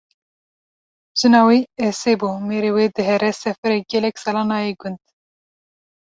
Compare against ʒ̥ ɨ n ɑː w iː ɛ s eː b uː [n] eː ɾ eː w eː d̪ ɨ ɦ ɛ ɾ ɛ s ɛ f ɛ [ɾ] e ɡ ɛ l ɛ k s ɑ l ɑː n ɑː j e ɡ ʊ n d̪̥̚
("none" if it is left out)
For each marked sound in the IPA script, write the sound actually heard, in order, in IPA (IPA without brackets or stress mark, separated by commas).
m, ɾ